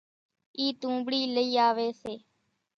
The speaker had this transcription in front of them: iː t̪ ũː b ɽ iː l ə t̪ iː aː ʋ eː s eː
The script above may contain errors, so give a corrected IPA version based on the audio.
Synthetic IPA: iː t̪ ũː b ɽ iː l ə iː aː ʋ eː s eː

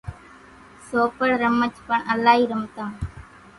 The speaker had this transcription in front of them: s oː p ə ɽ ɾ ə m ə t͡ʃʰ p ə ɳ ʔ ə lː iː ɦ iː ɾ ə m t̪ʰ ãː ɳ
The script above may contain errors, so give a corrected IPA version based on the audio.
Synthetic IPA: s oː p ə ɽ ɾ ə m ə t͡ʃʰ p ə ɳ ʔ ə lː aː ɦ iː ɾ ə m t̪ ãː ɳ

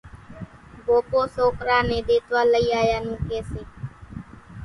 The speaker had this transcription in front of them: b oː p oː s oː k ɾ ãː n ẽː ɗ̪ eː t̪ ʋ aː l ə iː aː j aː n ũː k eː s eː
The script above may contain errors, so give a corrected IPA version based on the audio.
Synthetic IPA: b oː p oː s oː k ɾ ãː n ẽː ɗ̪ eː t̪ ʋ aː l ə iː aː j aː n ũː k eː s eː

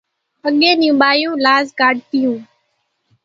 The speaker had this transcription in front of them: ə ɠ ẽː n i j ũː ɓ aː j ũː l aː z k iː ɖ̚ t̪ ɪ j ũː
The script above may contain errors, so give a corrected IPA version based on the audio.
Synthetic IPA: ə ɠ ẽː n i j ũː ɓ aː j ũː l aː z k aː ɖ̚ t̪ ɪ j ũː

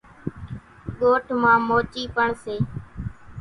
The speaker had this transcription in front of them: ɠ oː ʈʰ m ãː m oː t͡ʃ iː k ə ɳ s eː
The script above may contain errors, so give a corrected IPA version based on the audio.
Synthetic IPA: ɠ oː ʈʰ m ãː m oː t͡ʃ iː p ə ɳ s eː

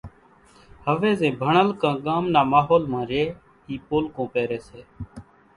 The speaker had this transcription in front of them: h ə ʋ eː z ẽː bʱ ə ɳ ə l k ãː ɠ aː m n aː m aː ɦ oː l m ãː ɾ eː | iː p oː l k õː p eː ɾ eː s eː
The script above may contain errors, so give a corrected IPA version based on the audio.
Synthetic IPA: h ə ʋ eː z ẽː bʱ ə ɳ ə l k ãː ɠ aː m n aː m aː ɦ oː l m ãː ɾ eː | iː p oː l k õː p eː ɾ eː s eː

